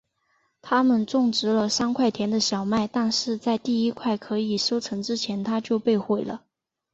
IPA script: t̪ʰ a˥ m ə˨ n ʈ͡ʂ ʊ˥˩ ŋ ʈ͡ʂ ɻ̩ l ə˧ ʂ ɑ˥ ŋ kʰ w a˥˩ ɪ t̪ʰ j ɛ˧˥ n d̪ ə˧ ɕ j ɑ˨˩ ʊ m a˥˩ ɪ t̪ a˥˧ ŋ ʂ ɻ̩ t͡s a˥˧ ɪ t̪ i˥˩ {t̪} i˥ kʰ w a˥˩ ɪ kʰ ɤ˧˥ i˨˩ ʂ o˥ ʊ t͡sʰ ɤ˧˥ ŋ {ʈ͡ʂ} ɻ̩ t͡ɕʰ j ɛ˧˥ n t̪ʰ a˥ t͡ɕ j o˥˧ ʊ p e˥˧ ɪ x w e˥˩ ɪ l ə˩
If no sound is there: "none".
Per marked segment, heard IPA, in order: none, ʈ͡ʂ

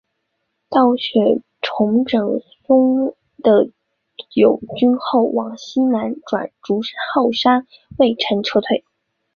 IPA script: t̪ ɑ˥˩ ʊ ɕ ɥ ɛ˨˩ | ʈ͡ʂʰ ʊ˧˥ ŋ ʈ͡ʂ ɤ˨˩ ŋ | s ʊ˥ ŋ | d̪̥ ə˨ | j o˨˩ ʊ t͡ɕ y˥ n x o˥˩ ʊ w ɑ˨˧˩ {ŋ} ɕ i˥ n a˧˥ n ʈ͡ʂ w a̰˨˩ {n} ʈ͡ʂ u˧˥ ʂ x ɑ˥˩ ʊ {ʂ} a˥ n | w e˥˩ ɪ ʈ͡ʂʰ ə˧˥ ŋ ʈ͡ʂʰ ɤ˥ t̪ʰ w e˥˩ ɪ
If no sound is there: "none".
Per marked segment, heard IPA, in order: ŋ, n, ʂ

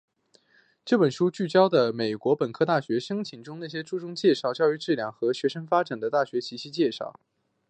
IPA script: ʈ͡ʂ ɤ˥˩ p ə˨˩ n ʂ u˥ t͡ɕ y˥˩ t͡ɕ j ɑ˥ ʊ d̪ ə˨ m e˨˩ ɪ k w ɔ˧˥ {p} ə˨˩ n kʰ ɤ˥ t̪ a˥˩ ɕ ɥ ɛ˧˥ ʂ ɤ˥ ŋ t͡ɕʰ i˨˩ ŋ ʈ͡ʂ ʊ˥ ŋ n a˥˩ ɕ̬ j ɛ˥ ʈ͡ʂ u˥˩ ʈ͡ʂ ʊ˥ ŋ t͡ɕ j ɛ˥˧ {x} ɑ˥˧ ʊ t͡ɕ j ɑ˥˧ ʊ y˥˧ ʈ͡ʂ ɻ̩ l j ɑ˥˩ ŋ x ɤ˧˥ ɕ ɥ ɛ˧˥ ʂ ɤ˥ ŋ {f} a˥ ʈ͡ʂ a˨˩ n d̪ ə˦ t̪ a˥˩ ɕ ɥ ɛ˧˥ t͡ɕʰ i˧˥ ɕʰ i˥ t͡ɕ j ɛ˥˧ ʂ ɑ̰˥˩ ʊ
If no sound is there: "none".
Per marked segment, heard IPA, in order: p, ʂ, f

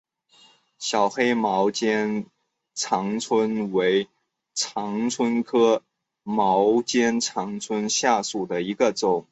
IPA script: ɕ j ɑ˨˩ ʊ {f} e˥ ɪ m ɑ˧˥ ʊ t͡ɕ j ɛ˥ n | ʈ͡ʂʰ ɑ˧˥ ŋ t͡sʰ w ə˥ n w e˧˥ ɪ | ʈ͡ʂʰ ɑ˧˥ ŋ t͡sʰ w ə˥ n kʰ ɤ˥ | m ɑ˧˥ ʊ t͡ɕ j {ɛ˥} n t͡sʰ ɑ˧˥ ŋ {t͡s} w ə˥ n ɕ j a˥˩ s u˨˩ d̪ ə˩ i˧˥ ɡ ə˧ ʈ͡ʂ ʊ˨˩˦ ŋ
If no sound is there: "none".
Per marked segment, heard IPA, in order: x, ɛ˥, t͡sʰ

